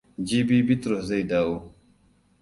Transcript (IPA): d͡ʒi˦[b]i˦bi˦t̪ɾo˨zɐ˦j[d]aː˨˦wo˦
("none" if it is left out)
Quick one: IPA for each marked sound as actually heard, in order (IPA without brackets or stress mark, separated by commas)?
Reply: b, d